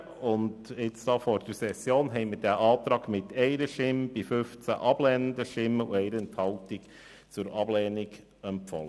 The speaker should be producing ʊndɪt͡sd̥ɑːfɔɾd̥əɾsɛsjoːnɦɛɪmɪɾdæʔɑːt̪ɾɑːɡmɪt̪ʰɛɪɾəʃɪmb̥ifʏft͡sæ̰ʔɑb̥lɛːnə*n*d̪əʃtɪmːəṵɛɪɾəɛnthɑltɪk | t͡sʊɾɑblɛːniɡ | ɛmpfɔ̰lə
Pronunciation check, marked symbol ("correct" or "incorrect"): correct